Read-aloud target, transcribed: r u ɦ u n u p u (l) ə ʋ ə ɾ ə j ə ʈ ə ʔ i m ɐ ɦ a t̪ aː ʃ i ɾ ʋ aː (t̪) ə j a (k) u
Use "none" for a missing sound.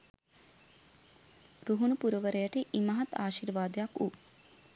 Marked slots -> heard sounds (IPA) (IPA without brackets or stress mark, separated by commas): ɾ, d̪, k